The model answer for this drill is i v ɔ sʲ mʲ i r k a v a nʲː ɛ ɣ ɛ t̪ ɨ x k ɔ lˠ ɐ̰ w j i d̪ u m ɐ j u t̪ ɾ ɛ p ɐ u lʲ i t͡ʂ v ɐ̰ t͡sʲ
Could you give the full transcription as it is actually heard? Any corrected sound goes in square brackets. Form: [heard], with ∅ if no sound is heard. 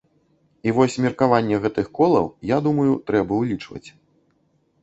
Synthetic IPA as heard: i v ɔ sʲ mʲ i r k a v a nʲː ɛ ɣ ɛ t̪ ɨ x k ɔ lˠ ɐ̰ w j [a] d̪ u m ɐ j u t̪ ɾ ɛ [b] ɐ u lʲ i t͡ʂ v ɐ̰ t͡sʲ